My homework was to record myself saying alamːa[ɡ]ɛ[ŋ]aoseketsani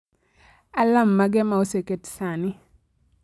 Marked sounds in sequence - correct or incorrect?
correct, incorrect: m

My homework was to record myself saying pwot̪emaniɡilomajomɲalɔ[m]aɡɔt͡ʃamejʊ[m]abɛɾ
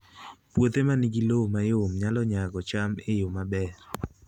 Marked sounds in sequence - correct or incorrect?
incorrect: ɲ, correct

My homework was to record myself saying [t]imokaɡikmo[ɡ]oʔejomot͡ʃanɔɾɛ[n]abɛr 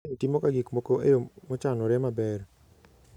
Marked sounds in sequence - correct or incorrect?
correct, incorrect: k, incorrect: m

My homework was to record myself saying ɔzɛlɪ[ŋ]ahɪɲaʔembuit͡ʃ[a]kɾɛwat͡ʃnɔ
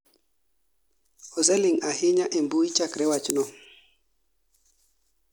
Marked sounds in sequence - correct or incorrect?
correct, correct

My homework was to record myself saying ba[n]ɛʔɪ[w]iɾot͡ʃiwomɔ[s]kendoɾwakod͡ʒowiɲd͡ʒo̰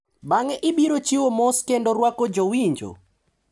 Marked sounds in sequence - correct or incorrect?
incorrect: ŋ, incorrect: b, correct

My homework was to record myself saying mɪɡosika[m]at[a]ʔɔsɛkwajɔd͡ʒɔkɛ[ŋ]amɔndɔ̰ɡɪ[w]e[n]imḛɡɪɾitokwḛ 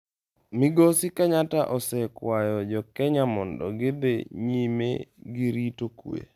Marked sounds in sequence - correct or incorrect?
incorrect: ɲ, correct, incorrect: ɲ, incorrect: b, incorrect: ɲ

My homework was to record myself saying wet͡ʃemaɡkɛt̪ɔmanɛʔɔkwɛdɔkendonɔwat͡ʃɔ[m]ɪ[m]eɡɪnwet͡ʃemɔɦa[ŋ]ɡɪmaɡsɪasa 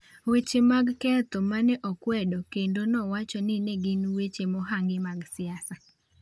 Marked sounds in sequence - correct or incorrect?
incorrect: n, incorrect: n, correct

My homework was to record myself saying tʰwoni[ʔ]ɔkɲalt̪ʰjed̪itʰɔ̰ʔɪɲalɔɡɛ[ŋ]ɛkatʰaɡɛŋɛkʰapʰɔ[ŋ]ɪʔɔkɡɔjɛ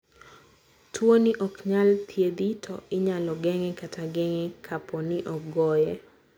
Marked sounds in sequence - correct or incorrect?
correct, correct, incorrect: n

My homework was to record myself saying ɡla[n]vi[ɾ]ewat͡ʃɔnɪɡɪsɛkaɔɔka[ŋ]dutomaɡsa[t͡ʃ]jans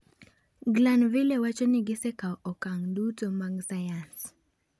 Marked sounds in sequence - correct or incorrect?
correct, incorrect: l, correct, incorrect: none

